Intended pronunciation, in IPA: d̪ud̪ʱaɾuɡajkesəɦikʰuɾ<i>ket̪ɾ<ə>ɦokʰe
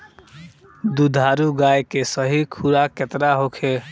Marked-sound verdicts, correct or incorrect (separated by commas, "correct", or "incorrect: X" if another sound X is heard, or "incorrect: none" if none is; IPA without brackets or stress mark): incorrect: a, incorrect: a